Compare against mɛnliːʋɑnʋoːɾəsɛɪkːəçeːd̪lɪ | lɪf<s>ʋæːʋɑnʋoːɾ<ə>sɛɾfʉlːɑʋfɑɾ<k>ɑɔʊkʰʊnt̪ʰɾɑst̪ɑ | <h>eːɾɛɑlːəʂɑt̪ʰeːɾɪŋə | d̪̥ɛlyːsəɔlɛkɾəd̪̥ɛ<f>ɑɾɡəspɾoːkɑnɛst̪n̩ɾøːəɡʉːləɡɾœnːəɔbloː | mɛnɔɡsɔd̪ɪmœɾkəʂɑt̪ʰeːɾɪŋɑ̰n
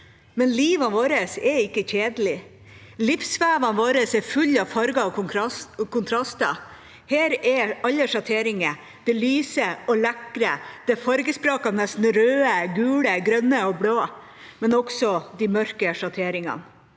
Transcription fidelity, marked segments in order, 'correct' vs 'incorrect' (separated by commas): correct, correct, incorrect, correct, correct